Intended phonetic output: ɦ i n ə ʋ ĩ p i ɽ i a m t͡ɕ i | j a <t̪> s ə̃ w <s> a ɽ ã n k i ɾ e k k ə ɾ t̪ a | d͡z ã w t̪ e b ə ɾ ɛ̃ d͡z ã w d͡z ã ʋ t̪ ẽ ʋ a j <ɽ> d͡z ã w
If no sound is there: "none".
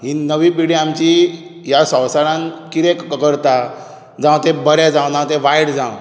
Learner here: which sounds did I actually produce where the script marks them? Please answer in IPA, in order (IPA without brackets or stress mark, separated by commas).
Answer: none, s, ɽ